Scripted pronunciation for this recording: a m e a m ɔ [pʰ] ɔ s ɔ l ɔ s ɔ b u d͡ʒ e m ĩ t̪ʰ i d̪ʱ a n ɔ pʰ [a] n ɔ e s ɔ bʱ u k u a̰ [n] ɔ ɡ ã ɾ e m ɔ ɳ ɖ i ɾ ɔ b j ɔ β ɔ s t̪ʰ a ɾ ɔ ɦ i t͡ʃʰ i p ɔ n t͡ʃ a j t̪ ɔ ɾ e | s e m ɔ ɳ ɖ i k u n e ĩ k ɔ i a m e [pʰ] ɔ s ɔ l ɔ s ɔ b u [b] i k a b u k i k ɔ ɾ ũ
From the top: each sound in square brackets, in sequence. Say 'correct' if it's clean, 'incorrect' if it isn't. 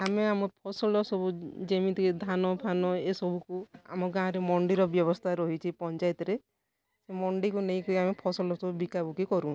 correct, correct, incorrect: m, correct, correct

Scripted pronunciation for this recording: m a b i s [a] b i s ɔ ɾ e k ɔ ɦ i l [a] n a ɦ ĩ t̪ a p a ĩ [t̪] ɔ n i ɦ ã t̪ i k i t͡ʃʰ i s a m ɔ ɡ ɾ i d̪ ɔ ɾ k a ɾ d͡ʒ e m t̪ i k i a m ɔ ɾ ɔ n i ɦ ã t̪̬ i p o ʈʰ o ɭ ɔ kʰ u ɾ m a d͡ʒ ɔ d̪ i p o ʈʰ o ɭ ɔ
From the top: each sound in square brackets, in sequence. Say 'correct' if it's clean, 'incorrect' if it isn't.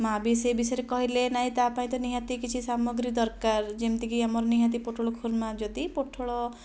incorrect: e, incorrect: e, correct

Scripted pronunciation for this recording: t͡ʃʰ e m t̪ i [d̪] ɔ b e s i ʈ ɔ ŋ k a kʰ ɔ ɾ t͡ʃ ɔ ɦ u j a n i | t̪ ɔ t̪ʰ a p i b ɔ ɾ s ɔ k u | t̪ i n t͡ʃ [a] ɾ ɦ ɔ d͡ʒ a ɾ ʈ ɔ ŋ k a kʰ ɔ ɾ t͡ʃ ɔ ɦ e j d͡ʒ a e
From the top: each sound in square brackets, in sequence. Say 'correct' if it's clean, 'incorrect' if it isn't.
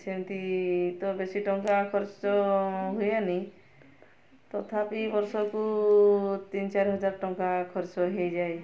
incorrect: t̪, correct

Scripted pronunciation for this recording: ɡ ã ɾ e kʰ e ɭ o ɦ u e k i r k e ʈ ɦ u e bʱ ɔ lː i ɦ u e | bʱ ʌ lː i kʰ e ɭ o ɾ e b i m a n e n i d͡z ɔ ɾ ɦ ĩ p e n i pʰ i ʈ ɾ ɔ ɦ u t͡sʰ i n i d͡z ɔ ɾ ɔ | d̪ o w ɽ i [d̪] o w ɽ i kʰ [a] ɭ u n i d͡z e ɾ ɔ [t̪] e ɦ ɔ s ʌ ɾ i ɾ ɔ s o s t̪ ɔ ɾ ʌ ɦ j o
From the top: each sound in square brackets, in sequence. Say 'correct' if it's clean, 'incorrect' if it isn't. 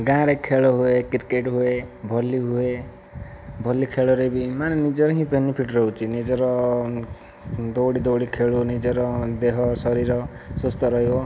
correct, incorrect: e, incorrect: d̪

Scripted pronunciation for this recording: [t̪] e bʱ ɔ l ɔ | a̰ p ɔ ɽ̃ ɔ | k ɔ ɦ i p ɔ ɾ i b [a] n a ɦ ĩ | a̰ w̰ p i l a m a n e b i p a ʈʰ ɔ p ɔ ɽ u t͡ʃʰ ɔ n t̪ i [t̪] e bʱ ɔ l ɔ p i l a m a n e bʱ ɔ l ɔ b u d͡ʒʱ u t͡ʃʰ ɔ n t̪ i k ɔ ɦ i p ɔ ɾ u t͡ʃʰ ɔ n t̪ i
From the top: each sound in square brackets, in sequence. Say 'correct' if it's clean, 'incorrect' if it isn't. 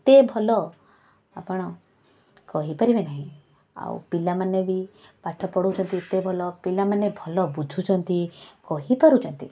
correct, incorrect: e, correct

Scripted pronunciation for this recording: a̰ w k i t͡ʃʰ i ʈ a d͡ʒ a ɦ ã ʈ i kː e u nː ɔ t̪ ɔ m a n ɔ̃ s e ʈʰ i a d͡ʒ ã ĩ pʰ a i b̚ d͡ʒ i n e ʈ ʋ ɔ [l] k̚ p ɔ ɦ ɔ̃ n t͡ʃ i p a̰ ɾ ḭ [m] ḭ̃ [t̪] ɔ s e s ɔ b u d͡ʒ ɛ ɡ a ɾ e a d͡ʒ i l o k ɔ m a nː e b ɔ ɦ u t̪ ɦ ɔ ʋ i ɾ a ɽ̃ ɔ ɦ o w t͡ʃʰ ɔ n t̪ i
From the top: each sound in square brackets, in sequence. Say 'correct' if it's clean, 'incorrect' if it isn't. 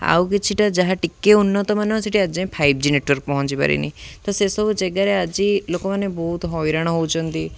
incorrect: ɾ, incorrect: n, correct

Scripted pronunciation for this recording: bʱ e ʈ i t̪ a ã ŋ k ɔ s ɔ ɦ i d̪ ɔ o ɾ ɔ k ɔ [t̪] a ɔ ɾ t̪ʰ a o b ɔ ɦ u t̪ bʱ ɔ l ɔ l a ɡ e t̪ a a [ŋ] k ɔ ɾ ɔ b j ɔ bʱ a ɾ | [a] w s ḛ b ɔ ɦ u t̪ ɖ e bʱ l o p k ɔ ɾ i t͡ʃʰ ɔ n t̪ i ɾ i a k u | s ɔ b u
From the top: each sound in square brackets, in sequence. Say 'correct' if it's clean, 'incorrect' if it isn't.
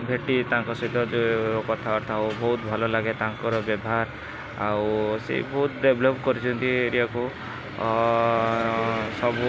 incorrect: t̪ʰ, correct, correct

